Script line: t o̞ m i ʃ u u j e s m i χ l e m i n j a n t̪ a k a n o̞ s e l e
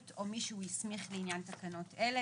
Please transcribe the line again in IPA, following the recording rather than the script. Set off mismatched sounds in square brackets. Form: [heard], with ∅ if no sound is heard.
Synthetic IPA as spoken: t o̞ m i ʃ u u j [i] s m i χ l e [∅] i n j a n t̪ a k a n o̞ [t] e l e